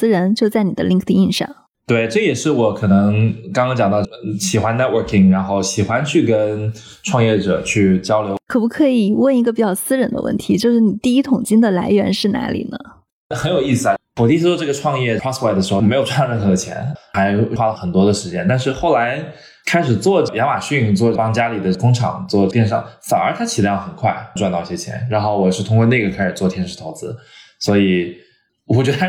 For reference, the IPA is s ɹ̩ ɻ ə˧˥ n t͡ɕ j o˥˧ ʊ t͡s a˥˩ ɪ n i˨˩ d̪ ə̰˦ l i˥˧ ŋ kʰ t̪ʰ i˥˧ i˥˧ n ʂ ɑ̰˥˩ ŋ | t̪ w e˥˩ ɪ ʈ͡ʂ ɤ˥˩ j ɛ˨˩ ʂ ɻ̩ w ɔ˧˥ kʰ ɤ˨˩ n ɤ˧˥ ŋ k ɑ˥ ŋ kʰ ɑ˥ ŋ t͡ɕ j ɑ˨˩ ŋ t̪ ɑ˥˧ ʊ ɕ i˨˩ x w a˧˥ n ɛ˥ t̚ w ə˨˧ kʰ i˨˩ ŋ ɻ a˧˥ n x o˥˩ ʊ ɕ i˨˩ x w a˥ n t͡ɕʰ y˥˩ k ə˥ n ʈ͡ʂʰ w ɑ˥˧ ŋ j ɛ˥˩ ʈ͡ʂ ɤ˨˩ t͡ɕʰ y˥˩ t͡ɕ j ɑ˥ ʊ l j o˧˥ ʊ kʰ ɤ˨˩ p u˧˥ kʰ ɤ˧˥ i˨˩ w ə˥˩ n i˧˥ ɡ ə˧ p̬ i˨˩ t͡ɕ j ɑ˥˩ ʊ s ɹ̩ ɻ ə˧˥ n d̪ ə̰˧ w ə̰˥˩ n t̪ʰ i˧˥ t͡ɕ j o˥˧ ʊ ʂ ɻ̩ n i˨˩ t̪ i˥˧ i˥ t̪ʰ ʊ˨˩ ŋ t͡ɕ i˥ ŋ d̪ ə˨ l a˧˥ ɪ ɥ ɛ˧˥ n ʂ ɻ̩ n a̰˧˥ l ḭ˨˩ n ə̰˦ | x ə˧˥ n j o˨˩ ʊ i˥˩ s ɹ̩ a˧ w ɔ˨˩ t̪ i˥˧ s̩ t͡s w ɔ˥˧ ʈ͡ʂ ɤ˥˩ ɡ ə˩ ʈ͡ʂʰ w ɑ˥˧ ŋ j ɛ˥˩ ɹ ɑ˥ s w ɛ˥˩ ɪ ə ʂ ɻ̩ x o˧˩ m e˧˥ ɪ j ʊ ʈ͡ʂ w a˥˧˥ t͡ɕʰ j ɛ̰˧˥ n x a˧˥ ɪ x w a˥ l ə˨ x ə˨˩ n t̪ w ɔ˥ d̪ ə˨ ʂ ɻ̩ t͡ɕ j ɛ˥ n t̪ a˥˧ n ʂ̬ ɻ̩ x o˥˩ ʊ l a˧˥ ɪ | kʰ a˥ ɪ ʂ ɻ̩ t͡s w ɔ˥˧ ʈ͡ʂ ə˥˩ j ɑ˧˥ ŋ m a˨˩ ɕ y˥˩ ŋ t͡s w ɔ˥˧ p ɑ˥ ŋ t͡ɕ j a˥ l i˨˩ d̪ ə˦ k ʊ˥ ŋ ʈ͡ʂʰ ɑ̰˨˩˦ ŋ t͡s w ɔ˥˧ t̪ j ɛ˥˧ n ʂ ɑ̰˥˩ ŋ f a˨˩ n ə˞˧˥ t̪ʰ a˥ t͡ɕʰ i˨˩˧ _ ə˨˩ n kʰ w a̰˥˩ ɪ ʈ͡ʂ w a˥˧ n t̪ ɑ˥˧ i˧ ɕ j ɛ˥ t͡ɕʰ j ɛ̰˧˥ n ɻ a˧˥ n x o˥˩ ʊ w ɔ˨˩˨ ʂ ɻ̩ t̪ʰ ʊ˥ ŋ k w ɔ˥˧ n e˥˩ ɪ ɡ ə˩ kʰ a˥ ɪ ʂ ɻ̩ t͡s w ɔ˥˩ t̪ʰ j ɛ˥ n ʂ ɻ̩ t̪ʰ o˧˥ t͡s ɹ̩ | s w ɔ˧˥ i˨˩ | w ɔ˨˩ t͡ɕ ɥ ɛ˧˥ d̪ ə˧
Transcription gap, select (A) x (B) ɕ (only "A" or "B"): A